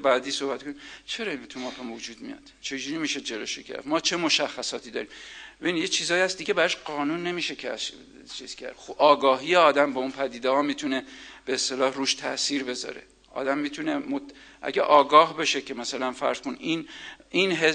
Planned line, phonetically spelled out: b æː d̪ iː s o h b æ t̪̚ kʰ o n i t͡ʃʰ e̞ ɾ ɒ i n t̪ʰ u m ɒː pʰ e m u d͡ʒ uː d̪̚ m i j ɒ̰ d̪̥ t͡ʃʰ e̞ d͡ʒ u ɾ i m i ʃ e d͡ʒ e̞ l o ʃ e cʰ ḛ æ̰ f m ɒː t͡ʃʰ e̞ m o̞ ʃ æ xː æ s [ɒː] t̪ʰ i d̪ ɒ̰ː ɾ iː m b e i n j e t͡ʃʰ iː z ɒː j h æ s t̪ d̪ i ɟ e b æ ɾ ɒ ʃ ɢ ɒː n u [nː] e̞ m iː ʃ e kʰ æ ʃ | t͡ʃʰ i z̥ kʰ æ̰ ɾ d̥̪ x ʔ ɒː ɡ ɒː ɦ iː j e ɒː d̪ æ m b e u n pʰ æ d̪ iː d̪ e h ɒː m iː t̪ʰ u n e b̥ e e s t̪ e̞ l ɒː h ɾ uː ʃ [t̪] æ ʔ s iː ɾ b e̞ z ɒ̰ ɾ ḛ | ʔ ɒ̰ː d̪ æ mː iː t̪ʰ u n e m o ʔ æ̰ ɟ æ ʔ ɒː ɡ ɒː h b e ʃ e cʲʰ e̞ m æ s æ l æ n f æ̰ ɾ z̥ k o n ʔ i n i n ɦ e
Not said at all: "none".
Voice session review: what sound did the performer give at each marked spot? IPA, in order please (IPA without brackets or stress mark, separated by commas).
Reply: ɒː, nː, t̪ʰ